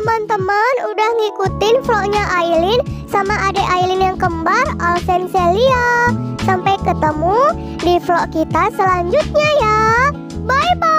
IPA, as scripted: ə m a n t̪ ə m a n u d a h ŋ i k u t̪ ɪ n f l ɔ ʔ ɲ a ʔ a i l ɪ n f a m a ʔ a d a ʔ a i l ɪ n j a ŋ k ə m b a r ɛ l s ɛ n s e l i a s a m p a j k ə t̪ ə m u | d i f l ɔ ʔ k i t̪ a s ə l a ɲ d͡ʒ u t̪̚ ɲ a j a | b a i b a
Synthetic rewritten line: ə m a n t̪ ə m a n u d a h ŋ i k u t̪ ɪ n f l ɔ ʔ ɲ a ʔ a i l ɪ n s a m a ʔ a d a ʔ a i l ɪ n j a ŋ k ə m b a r a l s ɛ n s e l i a s a m p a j k ə t̪ ə m u | d i f l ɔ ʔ k i t̪ a s ə l a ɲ d͡ʒ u t̪̚ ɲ a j a | b a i b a

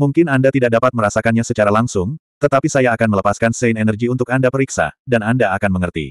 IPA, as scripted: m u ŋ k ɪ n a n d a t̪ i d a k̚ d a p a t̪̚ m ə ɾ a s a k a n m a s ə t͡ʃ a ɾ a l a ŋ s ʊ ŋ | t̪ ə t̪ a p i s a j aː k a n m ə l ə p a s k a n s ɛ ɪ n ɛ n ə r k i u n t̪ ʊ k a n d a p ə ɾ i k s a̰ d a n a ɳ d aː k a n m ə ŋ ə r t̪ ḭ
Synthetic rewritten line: m u ŋ k ɪ n a n d a t̪ i d a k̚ d a p a t̪̚ m ə ɾ a s a k a n ɲ a s ə t͡ʃ a ɾ a l a ŋ s ʊ ŋ | t̪ ə t̪ a p i s a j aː k a n m ə l ə p a s k a n s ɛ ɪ n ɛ n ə r ɡ i u n t̪ ʊ k a n d a p ə ɾ i k s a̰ d a n a n d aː k a n m ə ŋ ə r t̪ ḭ

